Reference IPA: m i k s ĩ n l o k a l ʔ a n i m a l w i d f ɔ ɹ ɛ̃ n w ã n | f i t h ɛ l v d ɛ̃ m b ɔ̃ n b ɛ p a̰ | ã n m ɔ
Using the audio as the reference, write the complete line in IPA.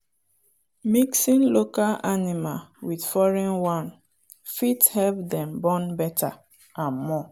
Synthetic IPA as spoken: m i k s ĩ n l o k a l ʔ a n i m a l w i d f ɔ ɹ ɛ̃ n w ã n | f i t h ɛ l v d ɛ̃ m b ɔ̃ n b ɛ t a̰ | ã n m ɔ